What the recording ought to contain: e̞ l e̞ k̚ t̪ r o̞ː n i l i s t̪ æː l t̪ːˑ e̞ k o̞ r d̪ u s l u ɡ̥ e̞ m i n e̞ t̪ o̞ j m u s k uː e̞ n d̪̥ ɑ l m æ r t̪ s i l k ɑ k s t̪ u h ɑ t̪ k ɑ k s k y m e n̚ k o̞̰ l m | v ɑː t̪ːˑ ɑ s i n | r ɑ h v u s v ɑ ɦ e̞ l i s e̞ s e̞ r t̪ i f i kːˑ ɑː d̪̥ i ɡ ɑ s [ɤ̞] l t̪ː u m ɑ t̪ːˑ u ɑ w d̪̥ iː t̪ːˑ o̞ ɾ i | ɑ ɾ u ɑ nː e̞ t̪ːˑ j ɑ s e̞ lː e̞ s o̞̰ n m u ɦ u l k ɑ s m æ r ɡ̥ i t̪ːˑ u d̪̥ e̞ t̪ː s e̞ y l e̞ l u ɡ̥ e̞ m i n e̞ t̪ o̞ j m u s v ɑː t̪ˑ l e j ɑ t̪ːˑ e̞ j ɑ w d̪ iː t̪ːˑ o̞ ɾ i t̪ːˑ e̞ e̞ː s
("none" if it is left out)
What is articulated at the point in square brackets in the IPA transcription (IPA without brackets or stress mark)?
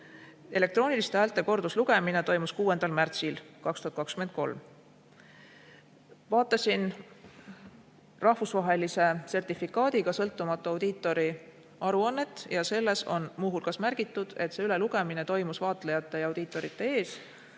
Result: ɤ̞